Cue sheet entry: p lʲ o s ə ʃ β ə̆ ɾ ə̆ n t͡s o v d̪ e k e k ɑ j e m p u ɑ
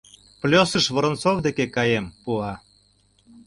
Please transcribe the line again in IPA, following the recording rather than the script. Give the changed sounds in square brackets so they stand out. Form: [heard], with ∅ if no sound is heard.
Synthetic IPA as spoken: p lʲ o s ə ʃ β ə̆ ɾ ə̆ n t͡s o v d̪ e k e k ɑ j e m p u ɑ